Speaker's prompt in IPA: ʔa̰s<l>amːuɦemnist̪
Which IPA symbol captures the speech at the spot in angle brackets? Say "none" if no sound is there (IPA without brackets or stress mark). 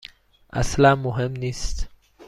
l